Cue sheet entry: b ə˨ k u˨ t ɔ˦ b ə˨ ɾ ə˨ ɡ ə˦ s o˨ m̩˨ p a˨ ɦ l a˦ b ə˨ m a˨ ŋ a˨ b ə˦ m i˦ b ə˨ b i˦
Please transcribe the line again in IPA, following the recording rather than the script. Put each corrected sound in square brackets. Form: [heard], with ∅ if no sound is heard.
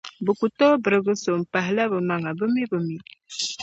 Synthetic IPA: b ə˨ k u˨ t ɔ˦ b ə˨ ɾ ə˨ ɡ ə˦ s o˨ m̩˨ p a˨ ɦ l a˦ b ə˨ m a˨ ŋ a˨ b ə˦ m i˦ b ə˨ [m] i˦